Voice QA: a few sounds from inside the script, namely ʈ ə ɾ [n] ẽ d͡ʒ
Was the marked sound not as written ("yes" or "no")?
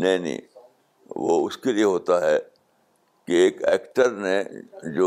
no